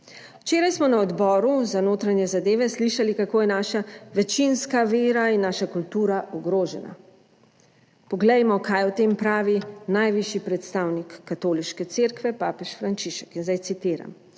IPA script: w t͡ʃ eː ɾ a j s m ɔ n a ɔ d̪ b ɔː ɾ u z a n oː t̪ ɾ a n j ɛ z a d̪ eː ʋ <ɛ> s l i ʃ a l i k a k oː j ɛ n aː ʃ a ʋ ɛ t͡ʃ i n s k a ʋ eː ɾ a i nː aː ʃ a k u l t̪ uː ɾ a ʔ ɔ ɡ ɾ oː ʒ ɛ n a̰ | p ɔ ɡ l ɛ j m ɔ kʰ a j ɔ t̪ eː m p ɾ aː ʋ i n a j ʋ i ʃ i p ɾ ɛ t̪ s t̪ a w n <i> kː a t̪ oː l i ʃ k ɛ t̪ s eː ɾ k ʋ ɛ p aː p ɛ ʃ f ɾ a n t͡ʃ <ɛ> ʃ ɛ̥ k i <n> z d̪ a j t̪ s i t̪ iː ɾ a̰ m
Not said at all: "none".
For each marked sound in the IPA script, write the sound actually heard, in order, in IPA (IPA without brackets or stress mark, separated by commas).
ɛ, i, i, n